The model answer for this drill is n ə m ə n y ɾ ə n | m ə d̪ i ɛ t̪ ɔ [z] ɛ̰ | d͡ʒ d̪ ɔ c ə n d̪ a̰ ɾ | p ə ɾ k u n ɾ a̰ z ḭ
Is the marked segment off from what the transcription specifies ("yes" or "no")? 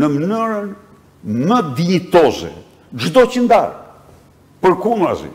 no